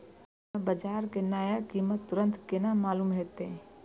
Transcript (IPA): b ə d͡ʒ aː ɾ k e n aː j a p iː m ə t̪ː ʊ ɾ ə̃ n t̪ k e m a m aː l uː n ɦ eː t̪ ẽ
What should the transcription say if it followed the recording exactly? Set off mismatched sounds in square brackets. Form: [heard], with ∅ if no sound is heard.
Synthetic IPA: b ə d͡ʒ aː ɾ k e n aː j a [k] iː m ə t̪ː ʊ ɾ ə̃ n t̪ k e [n] a m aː l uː [m] ɦ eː t̪ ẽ

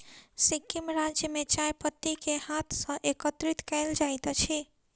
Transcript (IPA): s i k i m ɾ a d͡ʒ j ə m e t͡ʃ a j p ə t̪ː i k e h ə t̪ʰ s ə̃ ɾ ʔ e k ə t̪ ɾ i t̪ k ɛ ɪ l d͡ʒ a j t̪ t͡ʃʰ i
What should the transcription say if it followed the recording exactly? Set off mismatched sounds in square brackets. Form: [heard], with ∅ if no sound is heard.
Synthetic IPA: s i k i m ɾ a d͡ʒ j ə m e t͡ʃ a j p ə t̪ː i k e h [a] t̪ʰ s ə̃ [∅] ʔ e k ə t̪ ɾ i t̪ k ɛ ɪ l d͡ʒ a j t̪ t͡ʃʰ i

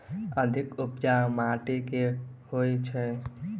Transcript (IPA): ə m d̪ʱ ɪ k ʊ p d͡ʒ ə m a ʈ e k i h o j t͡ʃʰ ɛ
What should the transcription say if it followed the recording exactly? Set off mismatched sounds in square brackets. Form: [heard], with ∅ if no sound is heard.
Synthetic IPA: ə [∅] d̪ʱ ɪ k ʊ p d͡ʒ [a] m a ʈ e k [e] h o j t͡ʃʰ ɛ

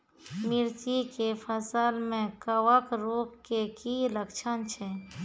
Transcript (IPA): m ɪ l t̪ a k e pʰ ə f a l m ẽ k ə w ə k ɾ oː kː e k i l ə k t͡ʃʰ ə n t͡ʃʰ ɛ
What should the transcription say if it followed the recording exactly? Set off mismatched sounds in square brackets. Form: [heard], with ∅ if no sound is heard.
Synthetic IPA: m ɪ [ɾ] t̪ [i] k e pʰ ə [s] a l m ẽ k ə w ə k ɾ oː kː e k i l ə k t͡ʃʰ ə n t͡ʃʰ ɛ

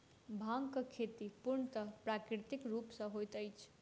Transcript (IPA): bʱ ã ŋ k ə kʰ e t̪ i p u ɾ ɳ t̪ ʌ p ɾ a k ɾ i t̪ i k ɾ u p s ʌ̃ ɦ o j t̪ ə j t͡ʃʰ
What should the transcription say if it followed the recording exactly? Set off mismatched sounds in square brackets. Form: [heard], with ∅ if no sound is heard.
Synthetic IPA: bʱ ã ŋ k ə kʰ e t̪ i p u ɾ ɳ t̪ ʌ p ɾ a k ɾ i t̪ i k ɾ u p s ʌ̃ ɦ o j t̪ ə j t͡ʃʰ

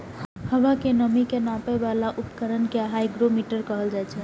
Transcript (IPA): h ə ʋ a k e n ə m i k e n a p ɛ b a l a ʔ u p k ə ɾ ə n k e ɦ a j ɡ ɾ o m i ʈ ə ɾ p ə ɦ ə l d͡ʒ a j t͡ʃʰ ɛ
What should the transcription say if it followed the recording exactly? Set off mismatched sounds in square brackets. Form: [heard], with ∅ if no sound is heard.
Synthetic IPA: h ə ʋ a k e n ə m i k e n a p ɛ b a l a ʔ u p k ə ɾ ə n k e ɦ a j ɡ ɾ o m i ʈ ə ɾ [k] ə ɦ ə l d͡ʒ a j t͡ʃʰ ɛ

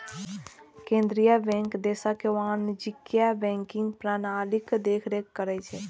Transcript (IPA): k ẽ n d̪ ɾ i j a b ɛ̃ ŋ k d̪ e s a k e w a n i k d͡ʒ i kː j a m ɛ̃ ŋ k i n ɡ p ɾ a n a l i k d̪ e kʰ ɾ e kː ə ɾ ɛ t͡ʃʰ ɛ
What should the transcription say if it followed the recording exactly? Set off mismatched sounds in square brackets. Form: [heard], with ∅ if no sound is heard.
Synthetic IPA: k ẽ n d̪ ɾ i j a b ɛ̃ ŋ k d̪ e s a k e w a n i [∅] d͡ʒ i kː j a [b] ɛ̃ ŋ k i [ŋ] ɡ p ɾ a n a l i k d̪ e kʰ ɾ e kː ə ɾ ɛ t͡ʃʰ ɛ

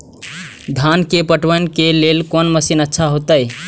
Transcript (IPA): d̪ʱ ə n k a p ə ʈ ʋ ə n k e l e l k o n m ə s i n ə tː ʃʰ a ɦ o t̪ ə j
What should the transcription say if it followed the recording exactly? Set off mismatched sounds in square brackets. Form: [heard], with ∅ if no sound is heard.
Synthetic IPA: d̪ʱ [a] n k [e] p ə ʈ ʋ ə n k e l e l k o n m ə s i n ə tː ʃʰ a ɦ o t̪ ə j

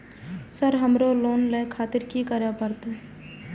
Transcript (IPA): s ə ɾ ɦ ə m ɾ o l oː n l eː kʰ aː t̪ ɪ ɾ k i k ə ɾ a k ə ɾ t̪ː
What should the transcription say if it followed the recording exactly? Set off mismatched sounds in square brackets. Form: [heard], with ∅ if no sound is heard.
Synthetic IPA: s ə ɾ ɦ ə m ɾ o l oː n l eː kʰ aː t̪ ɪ ɾ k i k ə ɾ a [p] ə ɾ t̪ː

